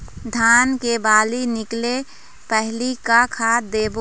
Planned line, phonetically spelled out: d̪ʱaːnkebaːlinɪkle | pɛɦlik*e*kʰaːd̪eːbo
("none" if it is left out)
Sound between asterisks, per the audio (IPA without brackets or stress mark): a